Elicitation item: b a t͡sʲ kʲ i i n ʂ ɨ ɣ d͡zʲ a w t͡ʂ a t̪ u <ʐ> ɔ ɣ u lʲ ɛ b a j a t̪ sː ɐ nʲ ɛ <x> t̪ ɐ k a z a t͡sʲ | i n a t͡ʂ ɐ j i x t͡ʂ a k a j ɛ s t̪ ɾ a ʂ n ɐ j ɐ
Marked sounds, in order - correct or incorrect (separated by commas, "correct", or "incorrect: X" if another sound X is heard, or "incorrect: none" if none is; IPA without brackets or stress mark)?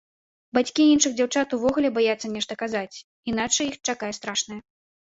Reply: incorrect: v, incorrect: ʂ